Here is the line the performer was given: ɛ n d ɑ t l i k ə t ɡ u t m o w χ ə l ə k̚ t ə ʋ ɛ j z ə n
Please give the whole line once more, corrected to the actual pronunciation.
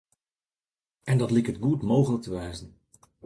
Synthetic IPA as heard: ɛ n d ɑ t l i k ə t ɡ u t m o w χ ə l ə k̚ t ə ʋ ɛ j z ə n